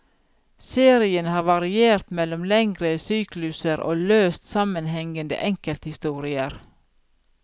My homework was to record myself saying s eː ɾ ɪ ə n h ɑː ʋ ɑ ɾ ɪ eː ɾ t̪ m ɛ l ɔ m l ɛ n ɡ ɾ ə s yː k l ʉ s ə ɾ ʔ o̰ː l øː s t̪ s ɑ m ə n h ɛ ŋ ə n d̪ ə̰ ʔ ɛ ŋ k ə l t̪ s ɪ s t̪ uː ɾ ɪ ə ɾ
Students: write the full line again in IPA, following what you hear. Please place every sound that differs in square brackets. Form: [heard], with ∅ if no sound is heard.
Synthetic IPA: s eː ɾ ɪ ə n h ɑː ʋ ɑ ɾ ɪ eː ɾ t̪ m ɛ l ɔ m l ɛ [ŋ] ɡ ɾ ə s yː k l ʉ s ə ɾ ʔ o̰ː l øː s t̪ s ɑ m ə n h ɛ ŋ ə n d̪ ə̰ ʔ ɛ ŋ k ə l t̪ [h] ɪ s t̪ uː ɾ ɪ ə ɾ